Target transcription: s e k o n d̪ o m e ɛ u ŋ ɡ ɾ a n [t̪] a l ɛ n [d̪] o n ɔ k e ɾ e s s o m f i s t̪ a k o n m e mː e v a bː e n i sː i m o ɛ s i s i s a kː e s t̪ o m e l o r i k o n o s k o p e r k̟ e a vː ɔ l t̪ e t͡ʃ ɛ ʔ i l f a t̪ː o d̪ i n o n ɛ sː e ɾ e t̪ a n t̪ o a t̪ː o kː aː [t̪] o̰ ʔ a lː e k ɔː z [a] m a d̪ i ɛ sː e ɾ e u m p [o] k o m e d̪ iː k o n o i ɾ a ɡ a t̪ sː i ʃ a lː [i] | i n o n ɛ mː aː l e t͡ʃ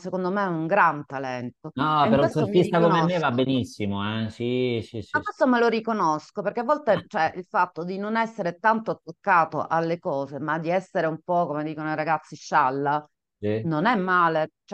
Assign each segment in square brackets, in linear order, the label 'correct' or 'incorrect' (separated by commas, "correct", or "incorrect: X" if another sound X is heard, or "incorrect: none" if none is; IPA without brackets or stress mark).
correct, incorrect: t̪, correct, incorrect: e, incorrect: ɔ, incorrect: a